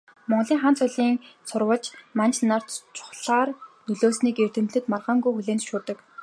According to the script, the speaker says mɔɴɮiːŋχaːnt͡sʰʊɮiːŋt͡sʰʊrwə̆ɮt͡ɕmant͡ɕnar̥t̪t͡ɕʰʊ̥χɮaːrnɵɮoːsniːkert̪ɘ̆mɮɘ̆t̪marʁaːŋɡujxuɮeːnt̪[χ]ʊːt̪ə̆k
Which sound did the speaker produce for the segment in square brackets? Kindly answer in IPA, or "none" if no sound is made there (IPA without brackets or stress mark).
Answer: ʃ